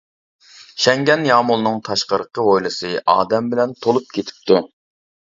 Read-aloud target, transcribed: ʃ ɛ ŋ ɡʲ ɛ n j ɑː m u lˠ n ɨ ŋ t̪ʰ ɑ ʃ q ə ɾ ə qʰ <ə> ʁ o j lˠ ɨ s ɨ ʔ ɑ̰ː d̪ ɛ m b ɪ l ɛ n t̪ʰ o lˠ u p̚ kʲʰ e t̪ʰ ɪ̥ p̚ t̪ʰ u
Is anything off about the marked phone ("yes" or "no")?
no